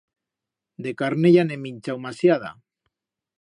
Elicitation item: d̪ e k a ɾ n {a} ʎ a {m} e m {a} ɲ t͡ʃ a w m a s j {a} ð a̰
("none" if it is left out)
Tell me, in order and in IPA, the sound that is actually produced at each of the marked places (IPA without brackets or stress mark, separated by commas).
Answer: e, n, i, a